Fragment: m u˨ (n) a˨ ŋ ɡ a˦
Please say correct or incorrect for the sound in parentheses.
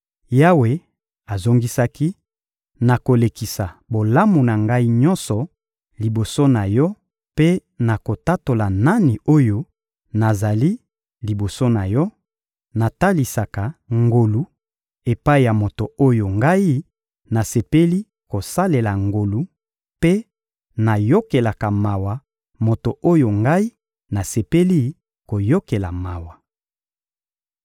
correct